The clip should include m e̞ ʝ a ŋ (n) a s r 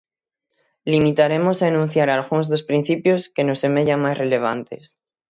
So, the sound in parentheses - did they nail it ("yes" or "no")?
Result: no